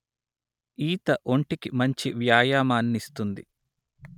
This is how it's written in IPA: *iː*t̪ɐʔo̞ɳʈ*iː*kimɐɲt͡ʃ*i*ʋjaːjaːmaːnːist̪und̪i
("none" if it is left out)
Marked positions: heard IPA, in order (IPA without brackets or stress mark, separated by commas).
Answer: iː, i, i